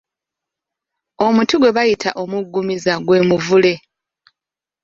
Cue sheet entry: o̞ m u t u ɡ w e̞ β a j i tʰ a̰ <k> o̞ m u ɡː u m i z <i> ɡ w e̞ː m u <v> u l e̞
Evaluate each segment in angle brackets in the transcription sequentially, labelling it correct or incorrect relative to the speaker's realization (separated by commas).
incorrect, incorrect, correct